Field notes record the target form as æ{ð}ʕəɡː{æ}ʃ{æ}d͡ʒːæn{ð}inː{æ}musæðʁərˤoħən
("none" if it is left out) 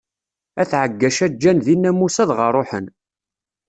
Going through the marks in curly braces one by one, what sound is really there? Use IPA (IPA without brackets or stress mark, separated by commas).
θ, æ, æ, ð, æ